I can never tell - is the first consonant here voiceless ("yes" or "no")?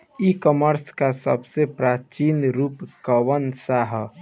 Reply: yes